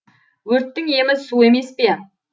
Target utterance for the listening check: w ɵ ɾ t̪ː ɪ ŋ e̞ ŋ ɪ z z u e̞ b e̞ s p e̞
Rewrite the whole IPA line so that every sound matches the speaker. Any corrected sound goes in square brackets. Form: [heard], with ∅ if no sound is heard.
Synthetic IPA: w ɵ ɾ t̪ː ɪ ŋ e̞ [m] ɪ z [s] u e̞ [m] e̞ s p e̞